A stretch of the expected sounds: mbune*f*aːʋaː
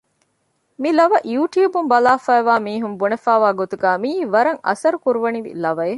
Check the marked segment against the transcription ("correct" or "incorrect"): correct